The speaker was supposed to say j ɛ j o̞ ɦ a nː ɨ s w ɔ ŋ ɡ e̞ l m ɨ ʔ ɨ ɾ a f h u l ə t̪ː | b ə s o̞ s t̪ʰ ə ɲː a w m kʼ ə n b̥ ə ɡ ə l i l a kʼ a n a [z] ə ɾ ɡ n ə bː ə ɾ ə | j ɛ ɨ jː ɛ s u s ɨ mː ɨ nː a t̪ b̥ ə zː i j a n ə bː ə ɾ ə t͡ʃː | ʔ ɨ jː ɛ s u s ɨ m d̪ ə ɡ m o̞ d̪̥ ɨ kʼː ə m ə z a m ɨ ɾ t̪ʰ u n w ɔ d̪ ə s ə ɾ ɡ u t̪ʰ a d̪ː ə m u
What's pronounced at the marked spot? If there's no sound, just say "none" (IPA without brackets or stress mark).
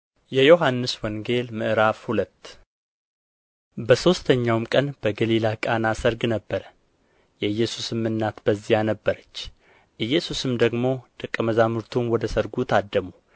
s